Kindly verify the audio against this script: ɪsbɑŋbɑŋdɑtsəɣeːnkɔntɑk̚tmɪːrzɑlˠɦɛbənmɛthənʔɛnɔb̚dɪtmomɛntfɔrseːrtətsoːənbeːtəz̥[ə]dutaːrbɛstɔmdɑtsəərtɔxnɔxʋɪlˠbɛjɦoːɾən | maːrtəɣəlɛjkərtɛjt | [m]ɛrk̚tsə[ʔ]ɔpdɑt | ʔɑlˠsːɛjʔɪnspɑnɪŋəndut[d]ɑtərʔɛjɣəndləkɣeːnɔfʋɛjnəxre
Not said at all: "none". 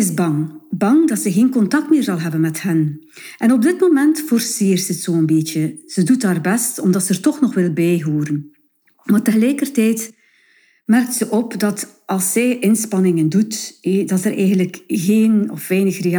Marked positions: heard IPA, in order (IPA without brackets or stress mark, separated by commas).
ə, m, ʔ, d